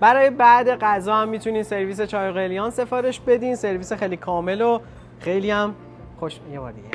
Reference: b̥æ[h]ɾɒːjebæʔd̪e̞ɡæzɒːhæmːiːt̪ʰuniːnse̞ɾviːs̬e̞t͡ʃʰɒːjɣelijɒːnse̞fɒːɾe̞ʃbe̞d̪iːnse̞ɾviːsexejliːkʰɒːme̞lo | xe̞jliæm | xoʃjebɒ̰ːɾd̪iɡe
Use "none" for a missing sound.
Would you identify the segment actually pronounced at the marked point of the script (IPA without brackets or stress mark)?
none